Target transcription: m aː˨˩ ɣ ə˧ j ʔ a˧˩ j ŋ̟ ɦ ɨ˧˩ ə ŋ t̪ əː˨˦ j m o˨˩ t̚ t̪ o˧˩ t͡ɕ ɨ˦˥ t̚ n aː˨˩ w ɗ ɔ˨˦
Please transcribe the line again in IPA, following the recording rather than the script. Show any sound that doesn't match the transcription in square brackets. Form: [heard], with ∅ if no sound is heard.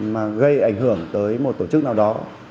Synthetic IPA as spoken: m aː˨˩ ɣ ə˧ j ʔ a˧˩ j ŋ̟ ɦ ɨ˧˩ ə ŋ t̪ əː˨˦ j m o˨˩ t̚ t̪ o˧˩ t͡ɕ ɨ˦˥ [k̚] n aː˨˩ w ɗ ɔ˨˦